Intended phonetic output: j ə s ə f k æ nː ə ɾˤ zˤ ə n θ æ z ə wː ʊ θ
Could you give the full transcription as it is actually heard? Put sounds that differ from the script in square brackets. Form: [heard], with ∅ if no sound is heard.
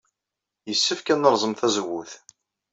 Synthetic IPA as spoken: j ə [sː] ə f k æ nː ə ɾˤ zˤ ə [m] θ æ z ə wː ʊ θ